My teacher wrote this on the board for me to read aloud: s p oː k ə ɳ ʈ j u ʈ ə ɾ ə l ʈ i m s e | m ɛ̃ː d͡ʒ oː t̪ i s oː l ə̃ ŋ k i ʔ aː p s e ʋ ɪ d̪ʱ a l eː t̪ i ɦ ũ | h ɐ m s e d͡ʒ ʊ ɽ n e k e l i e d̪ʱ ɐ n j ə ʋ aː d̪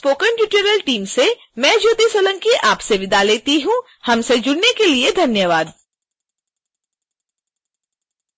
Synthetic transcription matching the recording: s p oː k ə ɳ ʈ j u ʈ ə ɾ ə l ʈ iː m s e | m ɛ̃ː d͡ʒ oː t̪ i s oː l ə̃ ŋ k i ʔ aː p s e ʋ ɪ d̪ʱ a l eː t̪ i ɦ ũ | h ɐ m s e d͡ʒ ʊ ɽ n e k e l i e d̪ʱ ɐ n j ə ʋ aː d̪